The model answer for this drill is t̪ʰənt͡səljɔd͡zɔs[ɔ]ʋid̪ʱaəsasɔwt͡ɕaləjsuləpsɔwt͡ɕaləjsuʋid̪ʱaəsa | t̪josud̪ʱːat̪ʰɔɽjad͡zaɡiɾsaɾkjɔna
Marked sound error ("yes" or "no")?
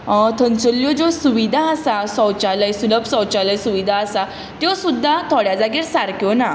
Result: yes